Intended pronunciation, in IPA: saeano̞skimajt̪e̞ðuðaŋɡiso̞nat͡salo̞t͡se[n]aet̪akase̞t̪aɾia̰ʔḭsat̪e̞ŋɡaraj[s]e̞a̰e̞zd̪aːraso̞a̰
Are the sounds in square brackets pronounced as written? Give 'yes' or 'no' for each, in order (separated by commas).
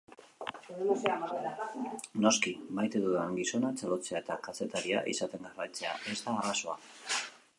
no, no